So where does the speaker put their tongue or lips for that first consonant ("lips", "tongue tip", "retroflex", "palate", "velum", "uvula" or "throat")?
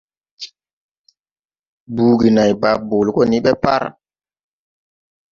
lips